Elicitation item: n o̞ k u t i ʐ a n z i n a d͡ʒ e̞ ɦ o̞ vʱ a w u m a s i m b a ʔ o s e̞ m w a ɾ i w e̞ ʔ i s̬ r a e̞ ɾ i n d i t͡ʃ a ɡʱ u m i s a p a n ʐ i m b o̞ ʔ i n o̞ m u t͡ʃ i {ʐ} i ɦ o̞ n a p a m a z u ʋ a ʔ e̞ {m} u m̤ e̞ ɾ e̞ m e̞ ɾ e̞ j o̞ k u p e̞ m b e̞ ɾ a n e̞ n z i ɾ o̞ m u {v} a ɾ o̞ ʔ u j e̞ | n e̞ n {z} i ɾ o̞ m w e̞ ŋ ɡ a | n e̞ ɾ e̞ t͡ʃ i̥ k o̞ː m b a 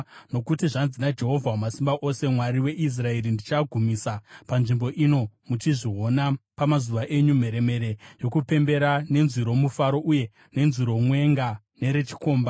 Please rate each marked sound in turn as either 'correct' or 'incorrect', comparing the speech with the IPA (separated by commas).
correct, incorrect, incorrect, correct